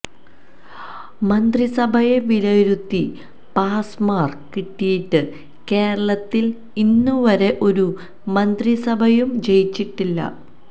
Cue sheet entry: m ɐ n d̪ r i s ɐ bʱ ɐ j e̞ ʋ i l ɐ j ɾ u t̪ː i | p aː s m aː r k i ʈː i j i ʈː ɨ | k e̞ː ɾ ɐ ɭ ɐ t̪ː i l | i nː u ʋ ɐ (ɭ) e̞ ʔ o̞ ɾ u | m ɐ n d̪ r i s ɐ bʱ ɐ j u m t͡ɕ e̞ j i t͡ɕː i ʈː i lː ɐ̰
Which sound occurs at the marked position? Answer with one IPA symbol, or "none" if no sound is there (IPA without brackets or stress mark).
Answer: ɾ